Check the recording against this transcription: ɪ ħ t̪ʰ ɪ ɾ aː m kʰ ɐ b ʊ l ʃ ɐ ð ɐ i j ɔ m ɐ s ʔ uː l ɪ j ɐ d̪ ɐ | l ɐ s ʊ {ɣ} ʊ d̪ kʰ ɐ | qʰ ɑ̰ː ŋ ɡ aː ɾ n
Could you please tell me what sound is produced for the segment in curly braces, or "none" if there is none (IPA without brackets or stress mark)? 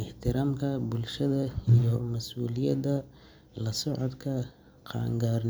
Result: ʕ